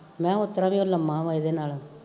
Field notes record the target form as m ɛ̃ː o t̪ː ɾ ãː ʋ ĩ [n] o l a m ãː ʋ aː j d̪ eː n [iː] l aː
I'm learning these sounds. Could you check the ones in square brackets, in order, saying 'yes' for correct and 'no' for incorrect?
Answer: no, no

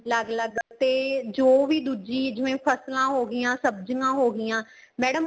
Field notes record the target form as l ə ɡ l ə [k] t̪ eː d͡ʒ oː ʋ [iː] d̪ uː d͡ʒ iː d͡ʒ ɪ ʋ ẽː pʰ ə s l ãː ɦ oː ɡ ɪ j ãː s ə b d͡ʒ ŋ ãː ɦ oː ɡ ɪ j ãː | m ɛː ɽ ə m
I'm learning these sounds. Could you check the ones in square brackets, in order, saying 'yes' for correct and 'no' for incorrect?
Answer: no, yes

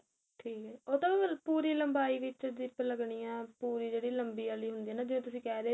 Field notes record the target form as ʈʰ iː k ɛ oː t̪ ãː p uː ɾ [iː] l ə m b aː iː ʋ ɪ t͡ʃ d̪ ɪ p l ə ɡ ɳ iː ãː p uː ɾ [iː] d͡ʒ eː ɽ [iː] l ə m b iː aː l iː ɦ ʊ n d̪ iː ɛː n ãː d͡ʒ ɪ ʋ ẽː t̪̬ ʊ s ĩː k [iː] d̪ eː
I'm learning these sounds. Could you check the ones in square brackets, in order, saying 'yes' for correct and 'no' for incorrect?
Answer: yes, yes, yes, no

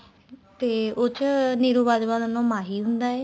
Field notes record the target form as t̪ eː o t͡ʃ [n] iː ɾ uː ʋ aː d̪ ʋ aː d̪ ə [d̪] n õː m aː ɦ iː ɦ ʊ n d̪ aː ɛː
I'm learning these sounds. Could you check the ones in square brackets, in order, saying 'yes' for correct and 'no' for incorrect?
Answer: yes, no

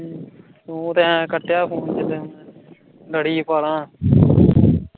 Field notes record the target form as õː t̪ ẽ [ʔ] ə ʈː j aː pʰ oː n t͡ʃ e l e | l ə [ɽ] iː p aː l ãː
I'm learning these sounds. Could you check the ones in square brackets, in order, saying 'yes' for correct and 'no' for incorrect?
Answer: no, yes

